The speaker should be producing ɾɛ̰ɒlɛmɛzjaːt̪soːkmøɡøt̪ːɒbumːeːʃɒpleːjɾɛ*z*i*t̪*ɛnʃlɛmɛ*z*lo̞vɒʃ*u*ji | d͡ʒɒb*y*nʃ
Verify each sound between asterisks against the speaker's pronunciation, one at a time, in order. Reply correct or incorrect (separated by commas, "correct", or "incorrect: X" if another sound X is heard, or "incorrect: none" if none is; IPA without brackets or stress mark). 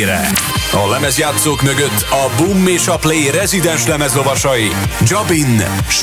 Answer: correct, incorrect: d̪, correct, incorrect: ɒ, incorrect: i